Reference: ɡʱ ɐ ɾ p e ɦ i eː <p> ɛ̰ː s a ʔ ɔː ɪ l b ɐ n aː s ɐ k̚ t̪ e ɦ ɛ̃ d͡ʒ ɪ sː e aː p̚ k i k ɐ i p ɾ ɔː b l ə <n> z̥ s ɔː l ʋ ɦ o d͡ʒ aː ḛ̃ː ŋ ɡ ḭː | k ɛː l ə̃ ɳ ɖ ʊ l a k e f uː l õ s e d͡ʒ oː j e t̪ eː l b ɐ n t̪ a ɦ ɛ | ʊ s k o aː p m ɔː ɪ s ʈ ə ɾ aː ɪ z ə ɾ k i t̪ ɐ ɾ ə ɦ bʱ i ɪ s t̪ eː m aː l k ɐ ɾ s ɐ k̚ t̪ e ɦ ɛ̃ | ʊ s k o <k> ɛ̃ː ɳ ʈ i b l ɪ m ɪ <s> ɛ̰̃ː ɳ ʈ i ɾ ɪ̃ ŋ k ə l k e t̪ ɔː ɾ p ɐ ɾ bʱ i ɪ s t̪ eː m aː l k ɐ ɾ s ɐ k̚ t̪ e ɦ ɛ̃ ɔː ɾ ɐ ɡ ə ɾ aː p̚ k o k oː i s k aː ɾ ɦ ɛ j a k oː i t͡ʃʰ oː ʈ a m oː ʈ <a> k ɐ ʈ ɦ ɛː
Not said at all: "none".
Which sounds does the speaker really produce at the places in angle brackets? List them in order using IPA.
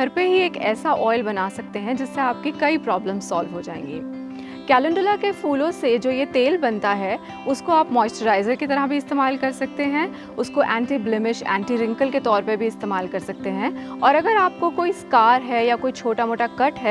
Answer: k, m, ʔ, ʃ, a

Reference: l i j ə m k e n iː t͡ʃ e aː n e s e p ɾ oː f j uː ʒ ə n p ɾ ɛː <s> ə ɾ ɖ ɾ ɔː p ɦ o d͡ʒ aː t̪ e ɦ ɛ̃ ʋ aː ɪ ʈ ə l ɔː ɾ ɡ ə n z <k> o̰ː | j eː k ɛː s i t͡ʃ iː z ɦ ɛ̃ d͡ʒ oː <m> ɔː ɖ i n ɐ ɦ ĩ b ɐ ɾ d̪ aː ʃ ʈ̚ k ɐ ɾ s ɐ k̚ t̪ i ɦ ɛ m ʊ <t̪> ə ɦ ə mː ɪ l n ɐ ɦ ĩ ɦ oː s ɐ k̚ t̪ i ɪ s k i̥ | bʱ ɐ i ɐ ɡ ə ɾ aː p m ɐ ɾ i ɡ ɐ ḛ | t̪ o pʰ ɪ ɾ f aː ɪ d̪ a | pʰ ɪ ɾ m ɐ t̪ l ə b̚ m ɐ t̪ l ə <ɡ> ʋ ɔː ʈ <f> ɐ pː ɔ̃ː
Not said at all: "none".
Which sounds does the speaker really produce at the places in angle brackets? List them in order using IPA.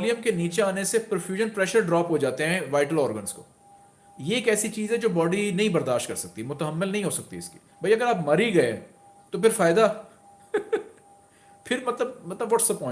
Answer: ʃ, k, b, t̪, b, s

